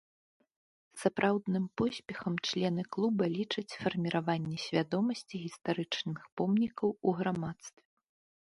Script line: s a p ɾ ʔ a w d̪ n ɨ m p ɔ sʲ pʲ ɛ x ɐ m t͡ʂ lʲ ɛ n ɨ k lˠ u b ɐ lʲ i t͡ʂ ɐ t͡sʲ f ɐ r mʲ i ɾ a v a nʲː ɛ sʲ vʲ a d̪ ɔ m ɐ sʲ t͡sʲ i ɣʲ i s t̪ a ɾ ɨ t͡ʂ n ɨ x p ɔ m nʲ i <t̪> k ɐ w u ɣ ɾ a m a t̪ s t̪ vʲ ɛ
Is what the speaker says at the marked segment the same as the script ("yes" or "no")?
no